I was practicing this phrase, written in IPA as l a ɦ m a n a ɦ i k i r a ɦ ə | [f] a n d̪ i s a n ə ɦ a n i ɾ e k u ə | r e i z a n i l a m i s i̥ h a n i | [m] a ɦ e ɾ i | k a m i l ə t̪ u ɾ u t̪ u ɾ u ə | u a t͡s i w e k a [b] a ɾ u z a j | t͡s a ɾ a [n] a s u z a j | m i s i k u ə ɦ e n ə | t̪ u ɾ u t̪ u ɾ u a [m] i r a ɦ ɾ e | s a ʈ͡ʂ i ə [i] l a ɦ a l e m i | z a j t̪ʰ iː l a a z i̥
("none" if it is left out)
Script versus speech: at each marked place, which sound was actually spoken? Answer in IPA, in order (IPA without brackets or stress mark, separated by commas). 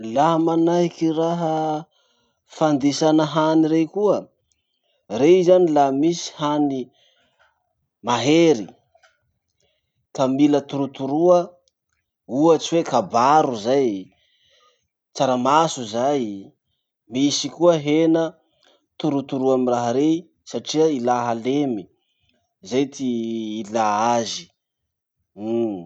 f, m, b, m, m, i